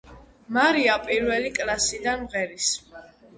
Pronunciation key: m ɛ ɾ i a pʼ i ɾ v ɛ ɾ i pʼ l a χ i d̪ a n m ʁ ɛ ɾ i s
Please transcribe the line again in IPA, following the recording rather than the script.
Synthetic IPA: m a ɾ i a pʼ i ɾ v ɛ l i kʼ l a s i d̪ a n m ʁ ɛ ɾ i s